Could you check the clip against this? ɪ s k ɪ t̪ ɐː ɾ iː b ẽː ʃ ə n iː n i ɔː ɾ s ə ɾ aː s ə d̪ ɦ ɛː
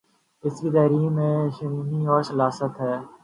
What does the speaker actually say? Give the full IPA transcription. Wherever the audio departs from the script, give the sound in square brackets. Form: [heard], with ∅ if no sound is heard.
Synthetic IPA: ɪ s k [i] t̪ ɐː ɾ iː [m] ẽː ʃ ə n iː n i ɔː ɾ s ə [l] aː s ə [t̪] ɦ ɛː